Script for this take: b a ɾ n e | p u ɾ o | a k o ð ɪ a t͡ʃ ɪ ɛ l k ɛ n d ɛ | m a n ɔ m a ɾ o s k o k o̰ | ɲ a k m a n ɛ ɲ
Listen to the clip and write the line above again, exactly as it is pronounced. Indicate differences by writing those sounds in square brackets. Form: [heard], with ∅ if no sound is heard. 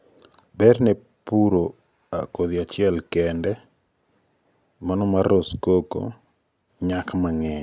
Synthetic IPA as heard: b [ɛ] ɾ n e | p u ɾ o | a k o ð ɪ a t͡ʃ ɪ ɛ l k ɛ n d ɛ | m a n ɔ m a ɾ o s k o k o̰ | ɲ a k m a [ŋ] ɛ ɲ